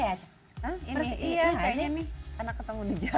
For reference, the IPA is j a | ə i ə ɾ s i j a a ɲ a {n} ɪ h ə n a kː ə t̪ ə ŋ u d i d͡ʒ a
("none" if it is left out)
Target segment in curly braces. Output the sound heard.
n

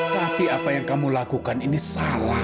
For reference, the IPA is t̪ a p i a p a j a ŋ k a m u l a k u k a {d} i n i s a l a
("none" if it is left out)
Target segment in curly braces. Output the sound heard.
n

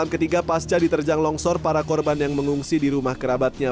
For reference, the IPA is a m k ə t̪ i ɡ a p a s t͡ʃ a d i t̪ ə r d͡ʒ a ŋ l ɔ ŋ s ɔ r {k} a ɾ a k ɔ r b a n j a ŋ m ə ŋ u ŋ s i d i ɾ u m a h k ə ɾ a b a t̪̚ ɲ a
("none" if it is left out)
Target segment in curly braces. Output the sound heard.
p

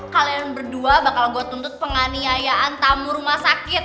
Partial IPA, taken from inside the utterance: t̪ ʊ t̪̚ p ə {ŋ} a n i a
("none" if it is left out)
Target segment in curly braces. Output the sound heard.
ŋ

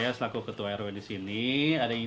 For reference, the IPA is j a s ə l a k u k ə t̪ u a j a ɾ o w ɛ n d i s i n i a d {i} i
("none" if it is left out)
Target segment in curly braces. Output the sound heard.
a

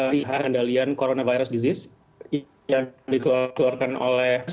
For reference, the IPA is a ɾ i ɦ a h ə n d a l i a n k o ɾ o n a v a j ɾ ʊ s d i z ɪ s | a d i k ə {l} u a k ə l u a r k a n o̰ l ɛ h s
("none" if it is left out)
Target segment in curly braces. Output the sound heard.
l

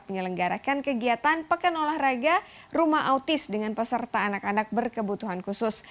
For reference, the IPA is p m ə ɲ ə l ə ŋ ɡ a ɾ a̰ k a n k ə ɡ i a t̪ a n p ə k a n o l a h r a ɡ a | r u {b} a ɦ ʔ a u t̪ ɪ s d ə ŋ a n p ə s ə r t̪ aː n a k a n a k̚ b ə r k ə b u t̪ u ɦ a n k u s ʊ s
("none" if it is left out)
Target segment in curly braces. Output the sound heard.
m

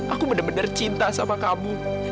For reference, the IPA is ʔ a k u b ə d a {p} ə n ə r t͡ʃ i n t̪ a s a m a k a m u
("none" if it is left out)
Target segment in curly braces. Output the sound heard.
b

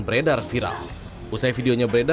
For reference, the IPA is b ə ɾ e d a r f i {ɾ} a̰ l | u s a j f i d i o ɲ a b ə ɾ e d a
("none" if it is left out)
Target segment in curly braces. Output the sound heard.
ɾ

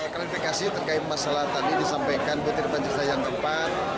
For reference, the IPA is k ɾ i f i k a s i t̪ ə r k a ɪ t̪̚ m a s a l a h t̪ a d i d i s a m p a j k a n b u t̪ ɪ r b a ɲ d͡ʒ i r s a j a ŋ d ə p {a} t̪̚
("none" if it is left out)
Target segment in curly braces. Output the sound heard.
a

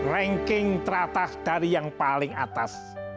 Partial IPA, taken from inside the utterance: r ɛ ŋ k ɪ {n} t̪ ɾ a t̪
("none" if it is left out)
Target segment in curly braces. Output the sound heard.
ŋ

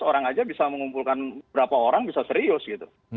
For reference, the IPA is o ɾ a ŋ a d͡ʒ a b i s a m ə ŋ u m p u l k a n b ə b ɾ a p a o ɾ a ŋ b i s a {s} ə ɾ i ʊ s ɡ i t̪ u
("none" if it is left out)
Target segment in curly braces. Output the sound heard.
s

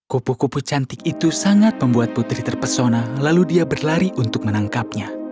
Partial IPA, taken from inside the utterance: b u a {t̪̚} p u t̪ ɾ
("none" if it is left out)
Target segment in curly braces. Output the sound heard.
t̪̚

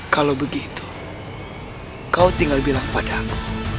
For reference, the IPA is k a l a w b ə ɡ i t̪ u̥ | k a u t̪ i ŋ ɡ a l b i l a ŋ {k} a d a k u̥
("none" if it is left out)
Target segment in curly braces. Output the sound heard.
p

